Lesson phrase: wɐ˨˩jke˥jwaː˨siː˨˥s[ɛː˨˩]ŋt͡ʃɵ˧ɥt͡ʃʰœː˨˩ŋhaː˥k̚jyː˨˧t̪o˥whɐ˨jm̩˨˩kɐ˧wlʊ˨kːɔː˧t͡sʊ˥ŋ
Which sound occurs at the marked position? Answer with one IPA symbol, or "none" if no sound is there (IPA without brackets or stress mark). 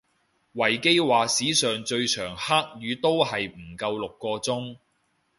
œː˨˩